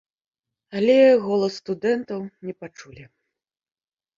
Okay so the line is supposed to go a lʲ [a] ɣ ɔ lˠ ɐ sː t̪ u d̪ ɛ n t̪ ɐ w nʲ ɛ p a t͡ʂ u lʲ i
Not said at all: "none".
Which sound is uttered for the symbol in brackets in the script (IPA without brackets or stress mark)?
ɛ